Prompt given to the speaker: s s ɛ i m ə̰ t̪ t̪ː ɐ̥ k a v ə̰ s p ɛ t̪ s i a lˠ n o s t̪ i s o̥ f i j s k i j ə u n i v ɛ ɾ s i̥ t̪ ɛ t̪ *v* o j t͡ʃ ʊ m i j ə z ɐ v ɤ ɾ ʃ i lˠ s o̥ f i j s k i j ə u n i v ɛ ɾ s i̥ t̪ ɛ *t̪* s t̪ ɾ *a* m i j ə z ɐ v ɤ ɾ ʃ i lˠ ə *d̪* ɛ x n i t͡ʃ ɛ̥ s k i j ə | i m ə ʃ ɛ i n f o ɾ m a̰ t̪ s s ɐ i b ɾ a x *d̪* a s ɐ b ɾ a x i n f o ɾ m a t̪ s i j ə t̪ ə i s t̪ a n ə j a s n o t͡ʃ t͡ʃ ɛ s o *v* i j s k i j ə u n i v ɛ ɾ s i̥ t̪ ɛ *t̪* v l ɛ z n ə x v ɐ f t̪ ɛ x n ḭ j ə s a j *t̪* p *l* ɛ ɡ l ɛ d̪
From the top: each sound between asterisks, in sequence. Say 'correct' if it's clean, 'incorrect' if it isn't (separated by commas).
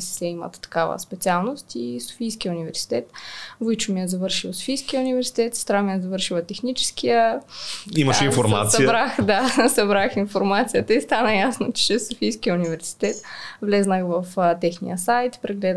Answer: correct, correct, correct, incorrect, correct, incorrect, correct, correct, incorrect